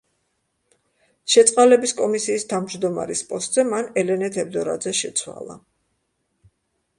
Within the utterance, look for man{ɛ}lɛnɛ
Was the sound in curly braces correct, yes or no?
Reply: yes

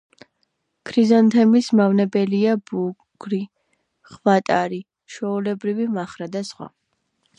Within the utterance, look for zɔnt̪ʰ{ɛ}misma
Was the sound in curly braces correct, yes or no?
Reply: yes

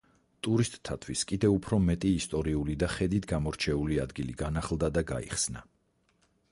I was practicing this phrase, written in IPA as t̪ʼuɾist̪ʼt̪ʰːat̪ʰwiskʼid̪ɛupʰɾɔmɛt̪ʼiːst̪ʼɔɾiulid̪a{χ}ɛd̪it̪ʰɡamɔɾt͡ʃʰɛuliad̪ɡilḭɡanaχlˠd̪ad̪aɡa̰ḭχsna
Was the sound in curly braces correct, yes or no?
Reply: yes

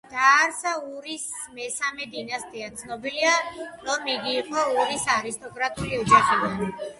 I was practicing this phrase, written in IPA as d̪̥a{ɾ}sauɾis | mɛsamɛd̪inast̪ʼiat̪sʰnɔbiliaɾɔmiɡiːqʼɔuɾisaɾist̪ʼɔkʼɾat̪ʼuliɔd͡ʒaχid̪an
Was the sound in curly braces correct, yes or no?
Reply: yes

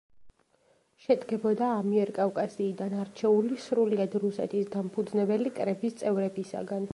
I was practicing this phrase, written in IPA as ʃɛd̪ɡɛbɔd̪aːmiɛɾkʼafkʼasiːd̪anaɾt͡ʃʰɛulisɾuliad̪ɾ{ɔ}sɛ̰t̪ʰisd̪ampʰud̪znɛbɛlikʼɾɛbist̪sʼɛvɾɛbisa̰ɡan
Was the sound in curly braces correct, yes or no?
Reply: no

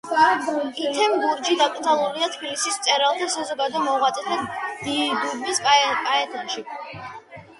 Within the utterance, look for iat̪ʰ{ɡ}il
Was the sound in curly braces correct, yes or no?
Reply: no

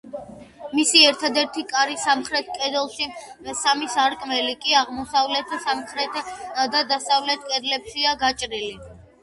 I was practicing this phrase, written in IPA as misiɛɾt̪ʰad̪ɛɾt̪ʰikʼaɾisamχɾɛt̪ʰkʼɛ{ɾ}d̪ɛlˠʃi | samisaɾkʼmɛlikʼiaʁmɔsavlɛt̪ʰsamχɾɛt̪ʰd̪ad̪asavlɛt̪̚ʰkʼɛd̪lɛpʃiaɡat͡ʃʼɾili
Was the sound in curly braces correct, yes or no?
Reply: no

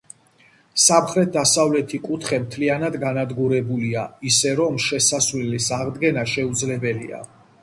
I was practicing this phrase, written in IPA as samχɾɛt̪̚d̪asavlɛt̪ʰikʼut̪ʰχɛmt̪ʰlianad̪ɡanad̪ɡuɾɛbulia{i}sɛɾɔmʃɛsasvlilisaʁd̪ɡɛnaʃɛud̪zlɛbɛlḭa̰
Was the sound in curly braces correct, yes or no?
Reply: yes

